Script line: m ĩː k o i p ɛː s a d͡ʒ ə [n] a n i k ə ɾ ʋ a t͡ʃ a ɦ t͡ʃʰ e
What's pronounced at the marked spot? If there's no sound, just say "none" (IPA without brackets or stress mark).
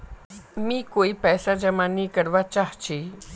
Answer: m